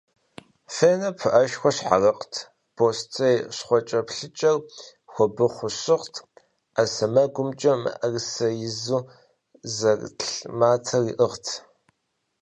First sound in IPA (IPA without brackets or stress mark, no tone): f